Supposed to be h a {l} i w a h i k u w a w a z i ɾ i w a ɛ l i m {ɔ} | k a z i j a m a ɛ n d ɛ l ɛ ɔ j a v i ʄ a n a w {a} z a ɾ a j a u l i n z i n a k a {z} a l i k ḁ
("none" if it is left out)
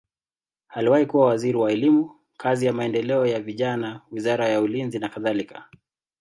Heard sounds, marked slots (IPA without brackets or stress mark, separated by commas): l, u, i, ð